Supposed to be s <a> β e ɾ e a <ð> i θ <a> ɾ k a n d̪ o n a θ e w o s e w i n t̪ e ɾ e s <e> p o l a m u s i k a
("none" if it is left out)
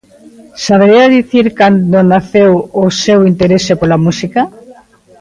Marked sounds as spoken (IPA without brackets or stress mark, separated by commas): a, ð, i, e